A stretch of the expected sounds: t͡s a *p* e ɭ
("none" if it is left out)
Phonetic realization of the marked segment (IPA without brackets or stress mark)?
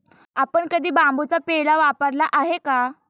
p